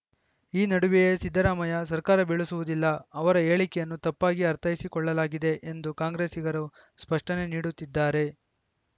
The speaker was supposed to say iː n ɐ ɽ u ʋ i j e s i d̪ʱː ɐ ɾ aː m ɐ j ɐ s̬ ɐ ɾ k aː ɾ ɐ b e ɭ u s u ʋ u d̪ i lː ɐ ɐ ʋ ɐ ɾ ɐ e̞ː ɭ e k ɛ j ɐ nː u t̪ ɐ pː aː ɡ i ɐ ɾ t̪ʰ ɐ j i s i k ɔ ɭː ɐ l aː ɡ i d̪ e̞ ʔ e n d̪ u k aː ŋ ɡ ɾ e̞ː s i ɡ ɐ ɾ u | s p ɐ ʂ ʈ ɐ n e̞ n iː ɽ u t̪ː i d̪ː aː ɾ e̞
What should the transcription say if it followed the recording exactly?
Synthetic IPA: iː n ɐ ɽ u ʋ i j e s i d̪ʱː ɐ ɾ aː m ɐ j ɐ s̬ ɐ ɾ k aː ɾ ɐ b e ɭ u s u ʋ u d̪ i lː ɐ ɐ ʋ ɐ ɾ ɐ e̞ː ɭ i k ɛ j ɐ nː u t̪ ɐ pː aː ɡ i ɐ ɾ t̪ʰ ɐ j i s i k ɔ ɭː ɐ l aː ɡ i d̪ e̞ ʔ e n d̪ u k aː ŋ ɡ ɾ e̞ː s i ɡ ɐ ɾ u | s p ɐ ʂ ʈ ɐ n e̞ n iː ɽ u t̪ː i d̪ː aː ɾ e̞

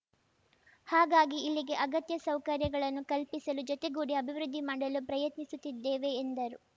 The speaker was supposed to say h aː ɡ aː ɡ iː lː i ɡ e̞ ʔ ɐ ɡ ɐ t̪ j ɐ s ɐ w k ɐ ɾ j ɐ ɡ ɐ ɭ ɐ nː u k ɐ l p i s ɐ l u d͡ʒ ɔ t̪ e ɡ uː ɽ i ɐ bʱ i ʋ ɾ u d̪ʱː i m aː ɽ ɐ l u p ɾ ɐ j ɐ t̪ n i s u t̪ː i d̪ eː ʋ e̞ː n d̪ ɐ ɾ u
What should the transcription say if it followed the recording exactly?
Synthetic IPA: h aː ɡ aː ɡ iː lː i ɡ e̞ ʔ ɐ ɡ ɐ t̪ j ɐ s ɐ w k ɐ ɾ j ɐ ɡ ɐ ɭ ɐ nː u k ɐ l p i s ɐ l u d͡ʒ ɔ t̪ e ɡ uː ɽ i ɐ bʱ i ʋ ɾ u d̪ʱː i m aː ɽ ɐ l u p ɾ ɐ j ɐ t̪ n i s u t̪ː i d̪ː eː ʋ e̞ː n d̪ ɐ ɾ u

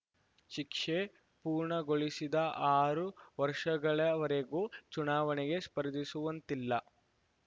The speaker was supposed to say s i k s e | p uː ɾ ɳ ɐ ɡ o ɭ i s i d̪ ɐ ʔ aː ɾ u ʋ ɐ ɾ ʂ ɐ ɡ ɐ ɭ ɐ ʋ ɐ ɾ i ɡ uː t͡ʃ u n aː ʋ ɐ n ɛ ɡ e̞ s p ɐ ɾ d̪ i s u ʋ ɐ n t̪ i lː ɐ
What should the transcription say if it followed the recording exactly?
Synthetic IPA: ʃ i k ʂ e | p uː ɾ ɳ ɐ ɡ o ɭ i s i d̪ ɐ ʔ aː ɾ u ʋ ɐ ɾ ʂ ɐ ɡ ɐ ɭ ɐ ʋ ɐ ɾ e ɡ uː t͡ʃ u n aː ʋ ɐ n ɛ ɡ e̞ s p ɐ ɾ d̪ i s u ʋ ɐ n t̪ i lː ɐ

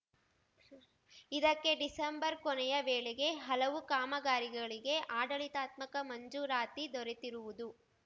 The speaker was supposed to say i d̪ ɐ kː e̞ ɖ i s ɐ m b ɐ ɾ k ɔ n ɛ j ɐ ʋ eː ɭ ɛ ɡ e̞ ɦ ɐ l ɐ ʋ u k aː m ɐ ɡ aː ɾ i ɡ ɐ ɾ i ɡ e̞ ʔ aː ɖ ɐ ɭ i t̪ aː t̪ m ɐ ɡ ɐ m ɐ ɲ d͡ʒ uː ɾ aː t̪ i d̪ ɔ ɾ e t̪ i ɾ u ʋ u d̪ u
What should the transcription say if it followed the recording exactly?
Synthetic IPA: i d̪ ɐ kː e̞ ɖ i s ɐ m b ɐ ɾ k ɔ n ɛ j ɐ ʋ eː ɭ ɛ ɡ e̞ ɦ ɐ l ɐ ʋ u k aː m ɐ ɡ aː ɾ i ɡ ɐ ɭ i ɡ e̞ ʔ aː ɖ ɐ ɭ i t̪ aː t̪ m ɐ k ɐ m ɐ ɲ d͡ʒ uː ɾ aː t̪ i d̪ ɔ ɾ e t̪ i ɾ u ʋ u d̪ u

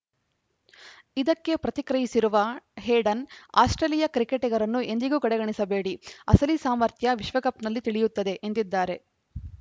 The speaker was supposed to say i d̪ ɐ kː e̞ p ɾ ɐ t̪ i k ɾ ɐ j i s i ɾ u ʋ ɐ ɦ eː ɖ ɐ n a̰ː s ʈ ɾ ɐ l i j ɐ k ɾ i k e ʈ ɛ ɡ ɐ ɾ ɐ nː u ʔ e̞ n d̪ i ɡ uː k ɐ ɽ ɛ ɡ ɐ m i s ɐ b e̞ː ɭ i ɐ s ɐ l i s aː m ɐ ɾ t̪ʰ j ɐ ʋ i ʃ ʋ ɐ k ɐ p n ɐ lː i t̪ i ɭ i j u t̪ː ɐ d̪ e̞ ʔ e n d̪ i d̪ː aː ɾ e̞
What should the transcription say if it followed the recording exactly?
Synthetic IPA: i d̪ ɐ kː e̞ p ɾ ɐ t̪ i k ɾ ɐ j i s i ɾ u ʋ ɐ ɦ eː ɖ ɐ n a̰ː s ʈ ɾ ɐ l i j ɐ k ɾ i k e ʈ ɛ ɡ ɐ ɾ ɐ nː u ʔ e̞ n d̪ i ɡ uː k ɐ ɽ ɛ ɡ ɐ ɳ i s ɐ b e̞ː ɽ i ɐ s ɐ l i s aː m ɐ ɾ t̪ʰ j ɐ ʋ i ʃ ʋ ɐ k ɐ p n ɐ lː i t̪ i ɭ i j u t̪ː ɐ d̪ e̞ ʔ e n d̪ i d̪ː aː ɾ e̞

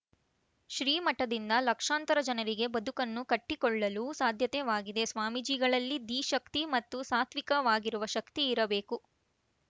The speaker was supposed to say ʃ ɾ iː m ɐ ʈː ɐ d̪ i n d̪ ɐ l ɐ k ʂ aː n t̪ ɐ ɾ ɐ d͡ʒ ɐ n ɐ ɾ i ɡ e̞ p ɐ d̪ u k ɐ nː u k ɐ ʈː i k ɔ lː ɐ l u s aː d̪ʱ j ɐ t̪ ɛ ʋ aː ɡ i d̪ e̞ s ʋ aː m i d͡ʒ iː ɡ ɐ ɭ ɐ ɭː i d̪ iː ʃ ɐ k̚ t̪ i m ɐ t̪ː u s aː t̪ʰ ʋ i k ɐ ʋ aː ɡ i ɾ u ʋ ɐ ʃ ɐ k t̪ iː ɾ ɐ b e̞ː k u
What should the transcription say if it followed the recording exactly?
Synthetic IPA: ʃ ɾ iː m ɐ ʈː ɐ d̪ i n d̪ ɐ l ɐ k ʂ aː n t̪ ɐ ɾ ɐ d͡ʒ ɐ n ɐ ɾ i ɡ e̞ b ɐ d̪ u k ɐ nː u k ɐ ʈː i k ɔ ɭː ɐ l u s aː d̪ʱ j ɐ t̪ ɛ ʋ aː ɡ i d̪ e̞ s ʋ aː m i d͡ʒ iː ɡ ɐ ɭ ɐ lː i d̪ iː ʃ ɐ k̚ t̪ i m ɐ t̪ː u s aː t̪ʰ ʋ i k ɐ ʋ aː ɡ i ɾ u ʋ ɐ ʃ ɐ k t̪ iː ɾ ɐ b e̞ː k u

